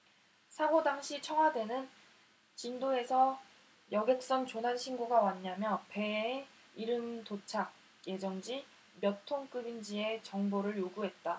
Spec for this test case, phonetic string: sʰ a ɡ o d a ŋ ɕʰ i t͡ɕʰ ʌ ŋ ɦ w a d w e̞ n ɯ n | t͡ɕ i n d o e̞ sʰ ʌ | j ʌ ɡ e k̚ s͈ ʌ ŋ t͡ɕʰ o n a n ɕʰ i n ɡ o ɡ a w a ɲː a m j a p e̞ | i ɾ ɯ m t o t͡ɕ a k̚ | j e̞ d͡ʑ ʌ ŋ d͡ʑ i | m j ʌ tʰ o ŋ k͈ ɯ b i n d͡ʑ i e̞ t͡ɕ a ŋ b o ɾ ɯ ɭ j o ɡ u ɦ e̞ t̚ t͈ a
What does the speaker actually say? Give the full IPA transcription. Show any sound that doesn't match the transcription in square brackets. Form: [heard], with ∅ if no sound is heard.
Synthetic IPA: sʰ a ɡ o d a ŋ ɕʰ i t͡ɕʰ ʌ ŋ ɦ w a d w e̞ n ɯ n | t͡ɕ i n d o e̞ sʰ ʌ | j ʌ ɡ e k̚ s͈ ʌ ŋ [t͡ɕ] o n a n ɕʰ i n ɡ o ɡ a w a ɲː a m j [ʌ] p e̞ | i ɾ ɯ m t o [t͡ɕʰ] a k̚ | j e̞ d͡ʑ ʌ ŋ d͡ʑ i | m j ʌ tʰ o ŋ k͈ ɯ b i n d͡ʑ i e̞ t͡ɕ [ʌ] ŋ b o ɾ ɯ ɭ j o ɡ u ɦ e̞ t̚ t͈ a